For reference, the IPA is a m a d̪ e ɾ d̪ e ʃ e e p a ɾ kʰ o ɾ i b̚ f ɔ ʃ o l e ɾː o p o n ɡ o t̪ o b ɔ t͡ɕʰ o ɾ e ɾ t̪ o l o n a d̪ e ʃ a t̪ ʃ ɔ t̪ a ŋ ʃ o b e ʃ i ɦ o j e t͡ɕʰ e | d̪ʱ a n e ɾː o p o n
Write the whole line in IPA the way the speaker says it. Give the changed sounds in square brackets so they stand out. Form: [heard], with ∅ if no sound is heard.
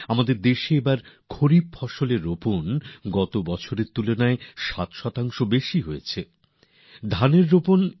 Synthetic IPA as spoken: a m a d̪ e ɾ d̪ e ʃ e e [b] a ɾ kʰ o ɾ i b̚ f ɔ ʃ o l e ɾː o p o n ɡ [ɔ] t̪ o b ɔ t͡ɕʰ o ɾ e ɾ t̪ [u] l o n a [∅] e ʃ a t̪ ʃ ɔ t̪ a ŋ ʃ o b e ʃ i ɦ o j e t͡ɕʰ e | d̪ʱ a n e ɾː o p o n